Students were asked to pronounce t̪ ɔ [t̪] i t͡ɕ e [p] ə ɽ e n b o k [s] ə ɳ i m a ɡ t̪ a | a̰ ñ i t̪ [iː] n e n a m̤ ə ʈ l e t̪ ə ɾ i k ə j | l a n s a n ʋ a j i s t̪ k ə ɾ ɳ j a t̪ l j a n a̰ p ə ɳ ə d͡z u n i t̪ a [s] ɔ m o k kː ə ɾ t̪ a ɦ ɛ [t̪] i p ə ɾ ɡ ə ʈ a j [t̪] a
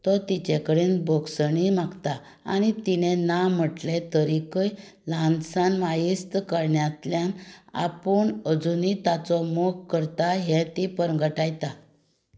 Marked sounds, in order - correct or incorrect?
correct, incorrect: k, correct, incorrect: i, incorrect: t͡s, correct, correct

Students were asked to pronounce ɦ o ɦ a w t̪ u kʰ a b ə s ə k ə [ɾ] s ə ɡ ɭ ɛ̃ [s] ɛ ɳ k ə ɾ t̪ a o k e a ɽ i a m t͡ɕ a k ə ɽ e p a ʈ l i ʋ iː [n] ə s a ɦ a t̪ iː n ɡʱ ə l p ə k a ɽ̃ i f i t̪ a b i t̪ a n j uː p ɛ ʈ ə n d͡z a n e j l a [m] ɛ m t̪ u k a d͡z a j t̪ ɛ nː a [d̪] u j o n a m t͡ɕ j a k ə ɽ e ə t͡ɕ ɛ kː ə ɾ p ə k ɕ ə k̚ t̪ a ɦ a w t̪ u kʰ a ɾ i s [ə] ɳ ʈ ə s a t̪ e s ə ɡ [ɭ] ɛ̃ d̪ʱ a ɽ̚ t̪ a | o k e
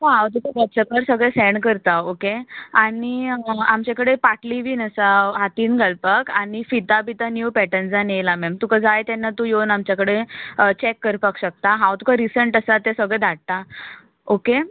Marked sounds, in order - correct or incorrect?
correct, correct, correct, correct, incorrect: t̪, correct, correct

